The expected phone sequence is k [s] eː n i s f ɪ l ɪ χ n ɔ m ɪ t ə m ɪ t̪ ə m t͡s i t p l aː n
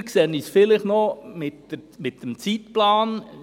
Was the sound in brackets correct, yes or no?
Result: yes